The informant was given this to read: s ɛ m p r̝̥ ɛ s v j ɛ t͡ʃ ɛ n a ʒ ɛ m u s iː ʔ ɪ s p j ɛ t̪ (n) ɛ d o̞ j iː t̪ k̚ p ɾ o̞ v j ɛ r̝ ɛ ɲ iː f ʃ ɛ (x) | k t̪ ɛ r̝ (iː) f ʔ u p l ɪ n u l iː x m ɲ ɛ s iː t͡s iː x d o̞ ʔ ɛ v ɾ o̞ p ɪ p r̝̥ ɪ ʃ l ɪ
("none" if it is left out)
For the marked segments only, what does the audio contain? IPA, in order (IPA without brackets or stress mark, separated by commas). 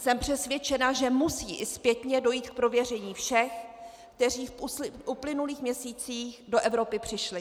ɲ, x, iː